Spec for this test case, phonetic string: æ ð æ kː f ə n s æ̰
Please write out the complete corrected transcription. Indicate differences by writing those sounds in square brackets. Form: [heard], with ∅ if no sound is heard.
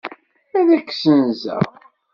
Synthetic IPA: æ ð æ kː [s] ə n [z] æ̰